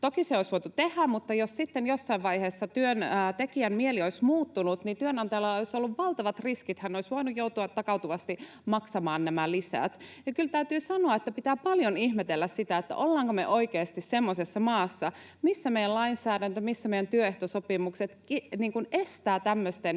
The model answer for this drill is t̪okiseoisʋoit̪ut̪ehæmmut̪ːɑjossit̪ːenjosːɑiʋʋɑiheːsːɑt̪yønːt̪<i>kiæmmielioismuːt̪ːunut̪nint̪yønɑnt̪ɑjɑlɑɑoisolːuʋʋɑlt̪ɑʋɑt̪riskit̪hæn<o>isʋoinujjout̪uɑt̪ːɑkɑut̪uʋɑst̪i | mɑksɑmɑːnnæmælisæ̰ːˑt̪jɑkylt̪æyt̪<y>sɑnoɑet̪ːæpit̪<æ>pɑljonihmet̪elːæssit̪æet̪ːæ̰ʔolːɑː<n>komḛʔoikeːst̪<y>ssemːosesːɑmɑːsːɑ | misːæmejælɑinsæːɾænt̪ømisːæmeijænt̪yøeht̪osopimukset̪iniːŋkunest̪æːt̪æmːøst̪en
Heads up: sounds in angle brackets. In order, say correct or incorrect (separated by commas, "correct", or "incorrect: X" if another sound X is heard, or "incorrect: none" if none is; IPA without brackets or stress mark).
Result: incorrect: e, correct, incorrect: yː, incorrect: æː, incorrect: ŋ, incorrect: i